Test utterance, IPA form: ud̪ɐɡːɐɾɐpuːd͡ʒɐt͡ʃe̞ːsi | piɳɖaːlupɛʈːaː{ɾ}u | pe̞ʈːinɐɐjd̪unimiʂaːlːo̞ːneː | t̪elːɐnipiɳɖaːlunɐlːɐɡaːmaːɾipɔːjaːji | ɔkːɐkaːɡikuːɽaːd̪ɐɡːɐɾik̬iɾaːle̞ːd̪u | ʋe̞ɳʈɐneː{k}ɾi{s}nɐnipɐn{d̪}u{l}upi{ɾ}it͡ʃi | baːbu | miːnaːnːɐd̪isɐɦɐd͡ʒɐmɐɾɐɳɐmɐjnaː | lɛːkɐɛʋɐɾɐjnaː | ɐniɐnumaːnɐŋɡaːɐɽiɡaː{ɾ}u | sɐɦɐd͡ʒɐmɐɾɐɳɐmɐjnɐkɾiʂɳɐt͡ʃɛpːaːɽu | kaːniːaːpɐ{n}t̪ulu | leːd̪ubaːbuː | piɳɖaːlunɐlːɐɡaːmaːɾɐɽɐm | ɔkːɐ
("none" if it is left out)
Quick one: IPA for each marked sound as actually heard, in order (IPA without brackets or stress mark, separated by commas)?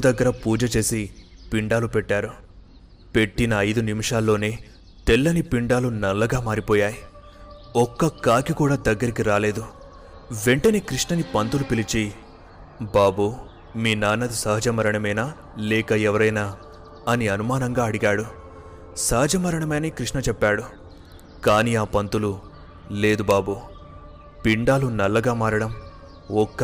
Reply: ɾ, k, ʂ, t̪, l, l, ɽ, n